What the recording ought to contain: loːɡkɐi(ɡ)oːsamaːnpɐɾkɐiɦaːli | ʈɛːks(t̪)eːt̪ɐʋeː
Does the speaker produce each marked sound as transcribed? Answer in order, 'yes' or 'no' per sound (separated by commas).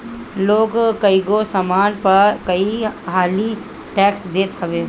yes, no